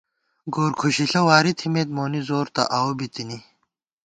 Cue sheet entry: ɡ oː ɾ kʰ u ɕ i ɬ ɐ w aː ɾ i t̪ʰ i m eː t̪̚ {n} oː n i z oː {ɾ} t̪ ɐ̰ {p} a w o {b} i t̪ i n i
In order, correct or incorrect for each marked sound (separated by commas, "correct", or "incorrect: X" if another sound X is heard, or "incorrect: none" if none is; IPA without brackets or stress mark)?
incorrect: m, correct, incorrect: ʔ, correct